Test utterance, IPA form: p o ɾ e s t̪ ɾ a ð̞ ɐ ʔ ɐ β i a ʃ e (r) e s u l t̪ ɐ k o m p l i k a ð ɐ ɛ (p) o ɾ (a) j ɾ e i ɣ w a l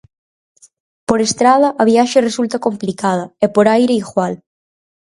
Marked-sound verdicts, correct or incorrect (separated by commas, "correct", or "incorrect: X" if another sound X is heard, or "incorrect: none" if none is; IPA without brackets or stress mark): correct, correct, correct